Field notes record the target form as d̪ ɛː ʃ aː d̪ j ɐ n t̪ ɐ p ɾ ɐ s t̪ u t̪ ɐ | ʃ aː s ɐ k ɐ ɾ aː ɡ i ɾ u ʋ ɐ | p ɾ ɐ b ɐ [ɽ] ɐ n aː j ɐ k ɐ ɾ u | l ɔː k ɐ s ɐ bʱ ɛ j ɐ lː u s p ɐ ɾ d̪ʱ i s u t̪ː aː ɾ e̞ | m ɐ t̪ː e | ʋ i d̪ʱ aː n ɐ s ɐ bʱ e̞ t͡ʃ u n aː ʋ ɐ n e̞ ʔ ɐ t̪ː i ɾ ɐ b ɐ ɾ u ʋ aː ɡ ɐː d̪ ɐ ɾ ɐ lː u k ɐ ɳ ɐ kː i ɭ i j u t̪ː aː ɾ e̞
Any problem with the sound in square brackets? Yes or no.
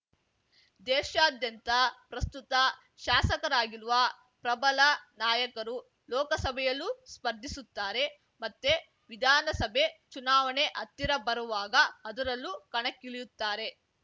yes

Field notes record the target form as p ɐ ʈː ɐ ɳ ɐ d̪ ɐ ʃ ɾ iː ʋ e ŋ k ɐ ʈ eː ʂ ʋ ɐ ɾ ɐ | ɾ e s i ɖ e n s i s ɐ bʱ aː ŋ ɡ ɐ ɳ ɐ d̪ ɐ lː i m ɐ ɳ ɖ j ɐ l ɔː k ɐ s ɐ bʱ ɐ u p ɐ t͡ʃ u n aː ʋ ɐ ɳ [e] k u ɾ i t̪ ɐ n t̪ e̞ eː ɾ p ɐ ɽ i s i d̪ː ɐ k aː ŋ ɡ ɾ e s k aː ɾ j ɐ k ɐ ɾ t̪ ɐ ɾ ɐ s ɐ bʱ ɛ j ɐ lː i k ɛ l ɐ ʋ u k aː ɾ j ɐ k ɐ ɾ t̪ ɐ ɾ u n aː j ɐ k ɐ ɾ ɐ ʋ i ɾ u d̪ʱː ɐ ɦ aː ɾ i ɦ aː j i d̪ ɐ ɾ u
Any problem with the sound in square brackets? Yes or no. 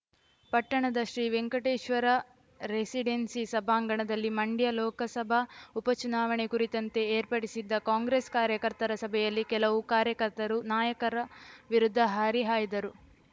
no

